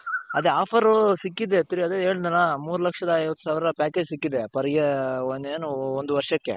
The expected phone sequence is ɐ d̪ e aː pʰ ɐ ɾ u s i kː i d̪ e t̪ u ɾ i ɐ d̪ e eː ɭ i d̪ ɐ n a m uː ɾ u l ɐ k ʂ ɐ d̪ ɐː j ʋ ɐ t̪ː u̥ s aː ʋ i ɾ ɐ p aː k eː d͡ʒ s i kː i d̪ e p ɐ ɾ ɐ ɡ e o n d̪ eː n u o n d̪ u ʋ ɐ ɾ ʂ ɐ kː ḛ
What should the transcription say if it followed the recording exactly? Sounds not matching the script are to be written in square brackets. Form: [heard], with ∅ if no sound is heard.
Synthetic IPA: ɐ d̪ e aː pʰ ɐ ɾ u s i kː i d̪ e t̪ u ɾ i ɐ d̪ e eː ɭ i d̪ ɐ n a m uː ɾ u l ɐ k ʂ ɐ d̪ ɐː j ʋ ɐ t̪ː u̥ s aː ʋ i ɾ ɐ p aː k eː d͡ʒ s i kː i d̪ e p ɐ ɾ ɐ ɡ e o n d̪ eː n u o n d̪ u ʋ ɐ ɾ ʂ ɐ kː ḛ

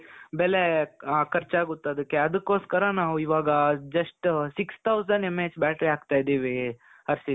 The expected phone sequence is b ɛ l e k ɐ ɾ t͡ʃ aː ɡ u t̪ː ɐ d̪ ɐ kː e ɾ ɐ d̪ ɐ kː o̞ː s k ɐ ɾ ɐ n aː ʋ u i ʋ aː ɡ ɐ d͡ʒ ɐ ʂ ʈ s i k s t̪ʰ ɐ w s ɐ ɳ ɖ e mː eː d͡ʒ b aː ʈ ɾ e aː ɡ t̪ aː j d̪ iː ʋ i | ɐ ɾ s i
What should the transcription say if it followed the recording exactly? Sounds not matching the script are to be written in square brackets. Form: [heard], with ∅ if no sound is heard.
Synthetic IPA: b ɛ l e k ɐ ɾ t͡ʃ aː ɡ u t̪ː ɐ d̪ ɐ kː e [∅] ɐ d̪ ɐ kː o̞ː s k ɐ ɾ ɐ n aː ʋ u i ʋ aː ɡ ɐ d͡ʒ ɐ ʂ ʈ s i k s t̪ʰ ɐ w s ɐ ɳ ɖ e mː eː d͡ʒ b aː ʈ ɾ [i] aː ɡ t̪ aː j d̪ iː ʋ i | ɐ ɾ s i

